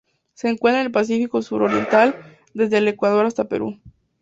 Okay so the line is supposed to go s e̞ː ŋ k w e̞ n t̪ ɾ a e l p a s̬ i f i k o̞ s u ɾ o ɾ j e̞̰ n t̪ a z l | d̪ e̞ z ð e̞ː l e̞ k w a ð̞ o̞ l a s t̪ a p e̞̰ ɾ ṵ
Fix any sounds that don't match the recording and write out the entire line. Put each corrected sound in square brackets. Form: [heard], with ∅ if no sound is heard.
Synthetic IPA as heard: s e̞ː ŋ k w e̞ n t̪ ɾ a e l p a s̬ i f i k o̞ s u ɾ o ɾ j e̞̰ n t̪ a [∅] l | d̪ e̞ z ð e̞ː l e̞ k w a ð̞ o̞ [ɾ] a s t̪ a p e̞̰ ɾ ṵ